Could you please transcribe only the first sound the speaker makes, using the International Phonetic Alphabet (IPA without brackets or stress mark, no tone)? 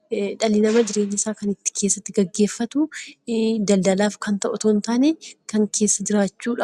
ᶑ